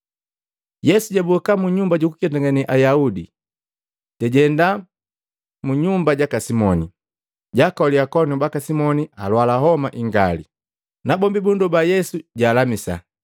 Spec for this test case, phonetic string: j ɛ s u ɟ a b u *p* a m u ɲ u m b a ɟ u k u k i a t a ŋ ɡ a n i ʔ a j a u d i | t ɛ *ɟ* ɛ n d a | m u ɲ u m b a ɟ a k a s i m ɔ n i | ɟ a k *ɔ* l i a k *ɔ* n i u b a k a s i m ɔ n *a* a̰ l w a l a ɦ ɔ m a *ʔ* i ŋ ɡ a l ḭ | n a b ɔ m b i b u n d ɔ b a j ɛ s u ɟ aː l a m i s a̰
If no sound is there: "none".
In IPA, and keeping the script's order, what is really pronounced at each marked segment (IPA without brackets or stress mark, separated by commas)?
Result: k, ɟ, ɔ, ɔ, i, ʔ